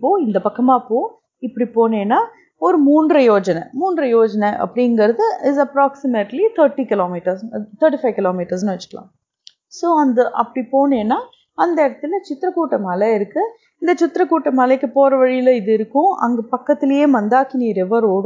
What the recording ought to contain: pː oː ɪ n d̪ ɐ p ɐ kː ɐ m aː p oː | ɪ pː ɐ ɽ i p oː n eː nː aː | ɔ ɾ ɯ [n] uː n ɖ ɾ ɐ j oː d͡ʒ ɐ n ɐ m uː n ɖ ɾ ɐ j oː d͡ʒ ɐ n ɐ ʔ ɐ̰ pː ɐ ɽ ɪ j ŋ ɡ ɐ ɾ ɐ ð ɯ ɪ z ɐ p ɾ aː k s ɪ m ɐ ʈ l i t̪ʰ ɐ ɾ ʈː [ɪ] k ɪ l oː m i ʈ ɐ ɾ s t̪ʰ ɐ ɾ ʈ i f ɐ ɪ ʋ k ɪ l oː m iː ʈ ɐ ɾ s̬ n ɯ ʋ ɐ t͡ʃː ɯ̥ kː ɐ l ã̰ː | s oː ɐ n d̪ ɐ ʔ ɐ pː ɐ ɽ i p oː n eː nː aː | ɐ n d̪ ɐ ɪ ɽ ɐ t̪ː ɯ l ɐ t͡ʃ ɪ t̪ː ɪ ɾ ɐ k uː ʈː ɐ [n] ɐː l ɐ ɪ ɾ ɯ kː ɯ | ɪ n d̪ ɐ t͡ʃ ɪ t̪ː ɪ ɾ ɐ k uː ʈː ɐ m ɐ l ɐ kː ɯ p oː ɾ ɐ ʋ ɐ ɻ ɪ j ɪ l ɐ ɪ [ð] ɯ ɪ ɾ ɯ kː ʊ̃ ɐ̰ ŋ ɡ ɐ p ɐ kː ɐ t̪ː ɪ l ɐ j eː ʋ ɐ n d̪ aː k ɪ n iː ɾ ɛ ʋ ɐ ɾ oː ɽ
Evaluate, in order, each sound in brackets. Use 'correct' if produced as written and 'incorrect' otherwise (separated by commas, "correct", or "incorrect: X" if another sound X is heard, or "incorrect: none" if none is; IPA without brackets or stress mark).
incorrect: m, incorrect: i, incorrect: m, correct